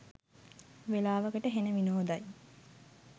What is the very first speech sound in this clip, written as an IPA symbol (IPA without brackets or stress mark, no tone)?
ʋ